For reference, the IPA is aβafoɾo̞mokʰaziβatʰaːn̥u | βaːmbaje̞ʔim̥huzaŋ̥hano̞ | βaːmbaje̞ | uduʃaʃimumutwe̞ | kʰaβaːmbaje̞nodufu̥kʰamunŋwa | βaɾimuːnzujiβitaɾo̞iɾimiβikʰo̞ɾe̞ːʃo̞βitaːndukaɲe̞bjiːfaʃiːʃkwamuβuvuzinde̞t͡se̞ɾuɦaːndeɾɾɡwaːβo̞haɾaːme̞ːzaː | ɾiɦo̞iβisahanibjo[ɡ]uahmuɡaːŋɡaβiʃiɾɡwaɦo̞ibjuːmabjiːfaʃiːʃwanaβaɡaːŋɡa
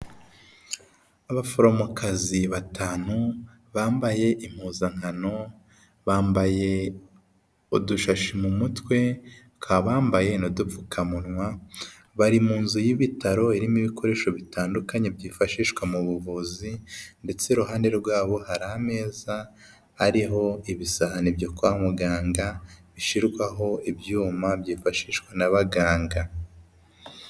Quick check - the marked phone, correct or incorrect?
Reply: incorrect